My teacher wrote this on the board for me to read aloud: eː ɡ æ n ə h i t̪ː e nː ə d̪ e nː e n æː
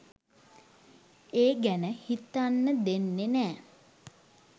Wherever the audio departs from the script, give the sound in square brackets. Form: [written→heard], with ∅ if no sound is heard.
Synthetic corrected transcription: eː ɡ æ n ə h i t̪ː [e→a] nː ə d̪ e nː e n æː

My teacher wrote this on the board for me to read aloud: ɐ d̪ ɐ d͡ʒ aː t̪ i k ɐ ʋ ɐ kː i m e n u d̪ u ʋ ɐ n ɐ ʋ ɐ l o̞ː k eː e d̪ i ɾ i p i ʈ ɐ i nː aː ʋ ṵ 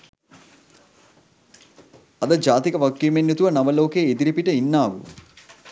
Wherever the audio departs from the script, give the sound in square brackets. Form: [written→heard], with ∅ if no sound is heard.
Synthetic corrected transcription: ɐ d̪ ɐ d͡ʒ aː t̪ i k ɐ ʋ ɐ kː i m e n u [d̪→t̪] u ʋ ɐ n ɐ ʋ ɐ l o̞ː k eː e d̪ i ɾ i p i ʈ ɐ i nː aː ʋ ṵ

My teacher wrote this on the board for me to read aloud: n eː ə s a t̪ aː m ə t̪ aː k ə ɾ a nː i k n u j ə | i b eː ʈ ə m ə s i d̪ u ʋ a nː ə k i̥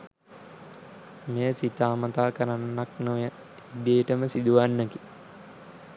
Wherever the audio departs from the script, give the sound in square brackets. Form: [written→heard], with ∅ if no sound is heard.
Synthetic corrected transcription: [n→m] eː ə s [a→i] t̪ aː m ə t̪ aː k ə ɾ a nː [i→a] k n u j ə | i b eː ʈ ə m ə s i d̪ u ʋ a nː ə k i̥

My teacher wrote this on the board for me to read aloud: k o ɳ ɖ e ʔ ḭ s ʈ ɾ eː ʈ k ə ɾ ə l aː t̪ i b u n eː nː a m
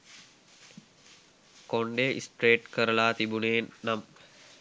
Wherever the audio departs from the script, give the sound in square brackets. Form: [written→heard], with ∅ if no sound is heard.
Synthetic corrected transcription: k o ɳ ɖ e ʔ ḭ s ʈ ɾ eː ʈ k ə ɾ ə l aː t̪ i b u n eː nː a m

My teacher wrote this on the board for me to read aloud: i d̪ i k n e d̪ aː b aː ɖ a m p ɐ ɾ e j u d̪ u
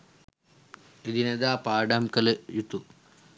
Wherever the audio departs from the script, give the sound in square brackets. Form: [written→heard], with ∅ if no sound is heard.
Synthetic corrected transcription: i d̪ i [k→∅] n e d̪ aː [b→p] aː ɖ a m [p→k] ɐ [ɾ→l] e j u [d̪→t̪] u

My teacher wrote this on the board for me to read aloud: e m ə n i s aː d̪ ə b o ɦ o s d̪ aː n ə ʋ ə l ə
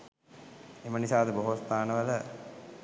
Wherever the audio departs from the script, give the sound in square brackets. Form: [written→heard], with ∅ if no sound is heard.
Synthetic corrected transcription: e m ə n i s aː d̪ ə b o ɦ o s [d̪→t̪] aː n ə ʋ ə l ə

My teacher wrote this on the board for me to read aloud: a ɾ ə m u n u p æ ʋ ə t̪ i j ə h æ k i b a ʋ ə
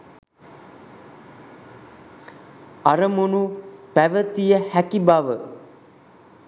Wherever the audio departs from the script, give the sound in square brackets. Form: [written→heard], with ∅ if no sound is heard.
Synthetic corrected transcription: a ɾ ə m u n u p æ ʋ ə t̪ i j ə h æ k i b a ʋ ə

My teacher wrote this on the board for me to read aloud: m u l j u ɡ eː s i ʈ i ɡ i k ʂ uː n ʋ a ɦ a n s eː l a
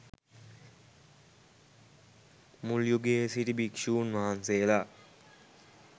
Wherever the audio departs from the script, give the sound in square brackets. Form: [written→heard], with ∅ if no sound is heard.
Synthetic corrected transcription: m u l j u ɡ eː s i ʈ i [ɡ→b] i k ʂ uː n ʋ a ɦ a n s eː l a

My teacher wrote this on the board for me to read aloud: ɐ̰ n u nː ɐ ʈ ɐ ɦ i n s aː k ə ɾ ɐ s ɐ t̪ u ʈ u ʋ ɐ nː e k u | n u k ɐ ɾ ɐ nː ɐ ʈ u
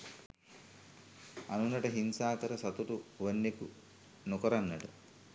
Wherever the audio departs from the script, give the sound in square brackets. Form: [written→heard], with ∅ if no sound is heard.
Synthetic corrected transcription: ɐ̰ n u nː ɐ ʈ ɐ ɦ i n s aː k [ə→ɐ] ɾ ɐ s ɐ t̪ u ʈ u ʋ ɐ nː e k u | n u k ɐ ɾ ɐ nː ɐ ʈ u

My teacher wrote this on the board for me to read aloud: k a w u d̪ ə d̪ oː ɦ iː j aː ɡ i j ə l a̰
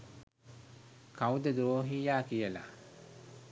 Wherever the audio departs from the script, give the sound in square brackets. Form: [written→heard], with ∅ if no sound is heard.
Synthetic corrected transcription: k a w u d̪ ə d̪ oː ɦ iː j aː [ɡ→k] i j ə l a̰

